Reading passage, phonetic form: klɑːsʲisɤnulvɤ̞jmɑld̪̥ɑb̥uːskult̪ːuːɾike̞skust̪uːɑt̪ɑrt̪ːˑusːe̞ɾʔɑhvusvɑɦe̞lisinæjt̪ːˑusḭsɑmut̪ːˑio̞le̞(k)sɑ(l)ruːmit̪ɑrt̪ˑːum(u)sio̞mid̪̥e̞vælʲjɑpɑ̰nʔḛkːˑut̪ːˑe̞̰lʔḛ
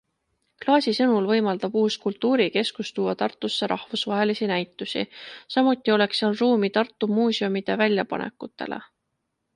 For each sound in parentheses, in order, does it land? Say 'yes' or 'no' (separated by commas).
yes, yes, no